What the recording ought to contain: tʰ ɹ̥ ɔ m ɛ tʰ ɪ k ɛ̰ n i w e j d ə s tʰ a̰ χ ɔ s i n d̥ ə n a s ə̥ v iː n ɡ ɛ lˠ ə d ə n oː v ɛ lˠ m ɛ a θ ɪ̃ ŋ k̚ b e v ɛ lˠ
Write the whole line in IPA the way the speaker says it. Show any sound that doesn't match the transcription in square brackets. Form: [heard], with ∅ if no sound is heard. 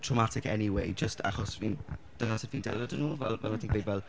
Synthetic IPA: tʰ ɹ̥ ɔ m [a] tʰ ɪ k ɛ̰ n i w e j [d͡ʒ] ə s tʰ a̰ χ ɔ s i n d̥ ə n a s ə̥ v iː n [d] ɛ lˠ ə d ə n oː v ɛ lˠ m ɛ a θ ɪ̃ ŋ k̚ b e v ɛ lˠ

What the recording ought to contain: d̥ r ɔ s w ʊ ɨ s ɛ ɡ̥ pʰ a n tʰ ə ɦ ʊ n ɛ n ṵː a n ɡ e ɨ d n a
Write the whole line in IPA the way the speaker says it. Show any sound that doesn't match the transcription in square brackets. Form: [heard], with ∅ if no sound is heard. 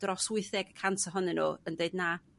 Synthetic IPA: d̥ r ɔ s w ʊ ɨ [θ] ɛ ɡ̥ [kʰ] a n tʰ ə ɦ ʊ n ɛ n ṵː [ə] n [d] e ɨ d n a

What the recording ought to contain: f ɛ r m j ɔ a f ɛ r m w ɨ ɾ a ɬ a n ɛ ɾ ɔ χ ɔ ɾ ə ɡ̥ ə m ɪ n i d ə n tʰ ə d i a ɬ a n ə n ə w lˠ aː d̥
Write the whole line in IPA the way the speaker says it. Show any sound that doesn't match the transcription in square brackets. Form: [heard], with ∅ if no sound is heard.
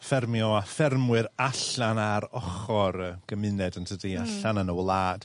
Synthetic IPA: f ɛ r m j ɔ a f ɛ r m w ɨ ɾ a ɬ a n [a] ɾ ɔ χ ɔ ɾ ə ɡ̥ ə m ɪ n [ɛ] d ə n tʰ ə d i a ɬ a n ə n ə w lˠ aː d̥

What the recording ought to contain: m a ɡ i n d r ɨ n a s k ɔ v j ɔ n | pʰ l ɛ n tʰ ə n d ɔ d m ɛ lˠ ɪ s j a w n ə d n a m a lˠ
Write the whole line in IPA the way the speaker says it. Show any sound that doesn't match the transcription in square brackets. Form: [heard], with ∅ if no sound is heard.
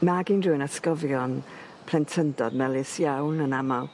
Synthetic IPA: m a ɡ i n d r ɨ n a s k ɔ v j ɔ n | pʰ l ɛ n tʰ ə n d ɔ d m ɛ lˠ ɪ s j a w n ə [∅] n a m a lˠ

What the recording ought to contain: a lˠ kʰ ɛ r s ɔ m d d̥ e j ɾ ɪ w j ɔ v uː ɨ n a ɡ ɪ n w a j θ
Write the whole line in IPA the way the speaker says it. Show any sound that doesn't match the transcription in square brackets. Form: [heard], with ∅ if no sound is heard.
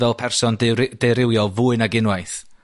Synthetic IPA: [ɛ] lˠ [pʰ] ɛ r s ɔ [n] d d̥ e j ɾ ɪ w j ɔ v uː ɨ n a ɡ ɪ n w a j θ

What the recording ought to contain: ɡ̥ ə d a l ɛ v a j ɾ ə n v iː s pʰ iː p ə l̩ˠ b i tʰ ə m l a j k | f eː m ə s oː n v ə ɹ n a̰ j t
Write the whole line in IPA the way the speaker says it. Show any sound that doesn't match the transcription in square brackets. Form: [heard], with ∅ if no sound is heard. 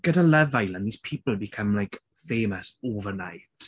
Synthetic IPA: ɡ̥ ə d a l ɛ v a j [l] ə n [ð] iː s pʰ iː p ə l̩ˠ b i [kʰ] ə m l a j k | f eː m ə s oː [∅] v ə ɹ n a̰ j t

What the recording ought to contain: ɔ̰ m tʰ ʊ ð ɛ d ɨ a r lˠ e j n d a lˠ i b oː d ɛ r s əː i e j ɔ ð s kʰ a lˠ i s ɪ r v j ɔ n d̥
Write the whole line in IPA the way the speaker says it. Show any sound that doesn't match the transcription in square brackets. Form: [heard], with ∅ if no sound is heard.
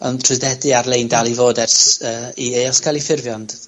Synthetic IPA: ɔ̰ [n] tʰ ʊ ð ɛ d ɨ a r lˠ e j n d a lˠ i [v] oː d ɛ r s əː i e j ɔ [∅] s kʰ a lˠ i [f] ɪ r v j ɔ n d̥

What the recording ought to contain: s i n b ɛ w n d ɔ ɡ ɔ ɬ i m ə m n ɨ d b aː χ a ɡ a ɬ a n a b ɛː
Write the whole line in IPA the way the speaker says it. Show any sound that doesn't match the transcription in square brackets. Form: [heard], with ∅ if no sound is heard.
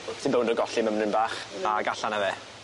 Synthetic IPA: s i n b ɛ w n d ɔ ɡ ɔ ɬ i m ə m n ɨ [n] b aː χ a ɡ a ɬ a n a [v] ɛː

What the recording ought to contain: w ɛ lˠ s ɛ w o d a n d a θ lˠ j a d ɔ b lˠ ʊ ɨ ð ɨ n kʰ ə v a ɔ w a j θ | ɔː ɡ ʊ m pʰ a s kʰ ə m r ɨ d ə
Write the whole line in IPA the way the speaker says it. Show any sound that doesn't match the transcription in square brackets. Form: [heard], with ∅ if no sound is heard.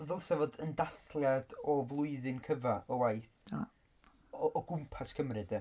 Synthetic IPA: [v] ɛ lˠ s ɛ [v] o d [ə] n d a θ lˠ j a d ɔ [v] lˠ ʊ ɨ ð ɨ n kʰ ə v a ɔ w a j θ | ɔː ɡ ʊ m pʰ a s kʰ ə m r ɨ d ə

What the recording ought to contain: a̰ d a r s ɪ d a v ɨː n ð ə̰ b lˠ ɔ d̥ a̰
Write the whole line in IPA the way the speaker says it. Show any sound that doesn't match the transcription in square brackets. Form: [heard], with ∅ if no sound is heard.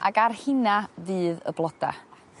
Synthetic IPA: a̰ [ɡ] a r [h] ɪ [n] a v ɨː [∅] ð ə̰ b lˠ ɔ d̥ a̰

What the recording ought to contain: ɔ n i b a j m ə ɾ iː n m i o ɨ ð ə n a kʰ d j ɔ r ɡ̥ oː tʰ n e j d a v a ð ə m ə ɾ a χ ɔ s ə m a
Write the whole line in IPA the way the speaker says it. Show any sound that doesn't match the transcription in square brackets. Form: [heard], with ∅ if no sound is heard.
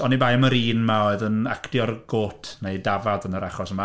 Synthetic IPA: ɔ n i b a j m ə ɾ iː n m [a] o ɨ ð ə n a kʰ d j ɔ r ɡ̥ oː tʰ n e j d a v a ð ə [n] ə ɾ a χ ɔ s ə m a

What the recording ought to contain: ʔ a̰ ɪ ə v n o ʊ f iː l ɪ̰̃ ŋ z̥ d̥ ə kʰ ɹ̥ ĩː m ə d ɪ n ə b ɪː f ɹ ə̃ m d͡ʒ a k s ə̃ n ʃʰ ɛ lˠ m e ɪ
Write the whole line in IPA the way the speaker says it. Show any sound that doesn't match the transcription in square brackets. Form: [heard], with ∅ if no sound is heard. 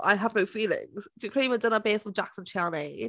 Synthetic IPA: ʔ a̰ ɪ ə v n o ʊ f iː l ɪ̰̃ ŋ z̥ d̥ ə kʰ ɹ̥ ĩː m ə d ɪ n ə b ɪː f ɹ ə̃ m d͡ʒ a k s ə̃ n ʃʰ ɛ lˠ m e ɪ

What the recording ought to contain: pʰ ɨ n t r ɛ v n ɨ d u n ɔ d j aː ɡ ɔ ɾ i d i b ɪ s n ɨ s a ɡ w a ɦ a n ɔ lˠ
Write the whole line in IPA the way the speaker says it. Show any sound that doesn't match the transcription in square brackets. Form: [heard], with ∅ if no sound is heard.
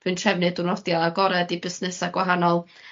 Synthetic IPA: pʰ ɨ n t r ɛ v n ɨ d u n ɔ d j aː ɡ ɔ ɾ [ɛ] d i b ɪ s n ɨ s a ɡ w a ɦ a n ɔ lˠ

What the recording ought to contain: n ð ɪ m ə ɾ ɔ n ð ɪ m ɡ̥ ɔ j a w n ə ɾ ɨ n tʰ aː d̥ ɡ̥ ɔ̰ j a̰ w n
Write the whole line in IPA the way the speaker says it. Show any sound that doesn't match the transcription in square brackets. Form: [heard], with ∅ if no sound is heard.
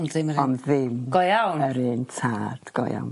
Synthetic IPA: n ð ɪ m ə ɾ ɔ n ð ɪ m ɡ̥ ɔ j a w n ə ɾ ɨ n tʰ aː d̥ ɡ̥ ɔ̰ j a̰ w n

